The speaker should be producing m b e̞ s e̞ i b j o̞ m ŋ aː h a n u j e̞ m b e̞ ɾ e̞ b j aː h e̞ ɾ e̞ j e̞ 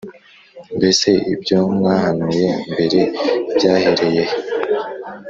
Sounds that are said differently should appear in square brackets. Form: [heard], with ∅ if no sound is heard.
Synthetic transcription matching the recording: m b e̞ s e̞ i b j o̞ m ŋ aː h a n u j e̞ m b e̞ ɾ e̞ b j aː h e̞ ɾ e̞ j e̞